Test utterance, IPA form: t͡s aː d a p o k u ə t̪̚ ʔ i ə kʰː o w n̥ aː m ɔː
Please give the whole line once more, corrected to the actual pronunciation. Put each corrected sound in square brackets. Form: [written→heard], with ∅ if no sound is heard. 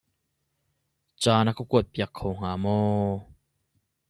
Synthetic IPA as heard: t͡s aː [d→n] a [p→k] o k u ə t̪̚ [ʔ→p] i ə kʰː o w [n̥→ŋ̥] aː m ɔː